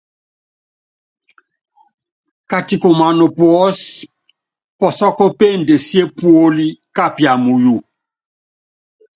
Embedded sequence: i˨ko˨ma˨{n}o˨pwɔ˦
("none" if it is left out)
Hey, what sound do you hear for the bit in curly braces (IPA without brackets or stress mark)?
n